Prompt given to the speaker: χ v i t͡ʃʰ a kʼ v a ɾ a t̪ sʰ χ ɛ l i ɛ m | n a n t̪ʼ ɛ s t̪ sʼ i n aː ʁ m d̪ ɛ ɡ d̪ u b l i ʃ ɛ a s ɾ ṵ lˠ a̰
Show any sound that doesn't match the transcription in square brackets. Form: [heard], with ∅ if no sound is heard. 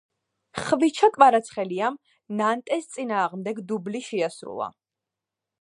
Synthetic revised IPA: χ v i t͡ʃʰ a kʼ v a ɾ a t̪ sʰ χ ɛ l i [a] m | n a n t̪ʼ ɛ s t̪ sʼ i n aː ʁ m d̪ ɛ ɡ d̪ u b l i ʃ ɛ a s ɾ ṵ lˠ a̰